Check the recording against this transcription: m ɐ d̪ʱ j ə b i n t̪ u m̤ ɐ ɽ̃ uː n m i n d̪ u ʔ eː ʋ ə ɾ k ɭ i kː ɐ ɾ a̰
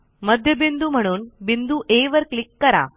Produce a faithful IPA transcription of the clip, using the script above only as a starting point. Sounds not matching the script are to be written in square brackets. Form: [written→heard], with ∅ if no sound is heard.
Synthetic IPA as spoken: m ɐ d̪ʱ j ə b i n [t̪→d̪] u m̤ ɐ ɽ̃ uː n [m→b] i n d̪ u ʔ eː ʋ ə ɾ k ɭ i kː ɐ ɾ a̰

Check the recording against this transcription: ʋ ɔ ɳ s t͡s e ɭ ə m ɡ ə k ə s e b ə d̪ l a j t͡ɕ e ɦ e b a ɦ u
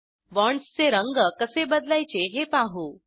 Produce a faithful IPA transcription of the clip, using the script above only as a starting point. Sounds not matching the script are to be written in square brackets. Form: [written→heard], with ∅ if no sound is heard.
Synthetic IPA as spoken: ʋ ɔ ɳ s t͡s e [ɭ→ɾ] ə [m→ŋ] ɡ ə k ə s e b ə d̪ l a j t͡ɕ e ɦ e [b→p] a ɦ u

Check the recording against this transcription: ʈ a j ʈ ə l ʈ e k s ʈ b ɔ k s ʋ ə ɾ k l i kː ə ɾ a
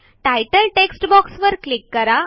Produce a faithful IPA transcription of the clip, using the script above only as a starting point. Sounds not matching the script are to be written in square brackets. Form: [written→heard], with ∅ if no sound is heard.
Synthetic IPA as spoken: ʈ a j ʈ ə l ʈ e k s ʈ b ɔ k s ʋ ə ɾ k l i kː ə ɾ a

